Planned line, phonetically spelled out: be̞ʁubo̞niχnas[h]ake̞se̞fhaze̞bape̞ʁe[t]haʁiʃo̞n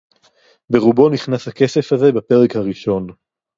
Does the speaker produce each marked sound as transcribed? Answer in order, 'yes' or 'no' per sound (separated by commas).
yes, no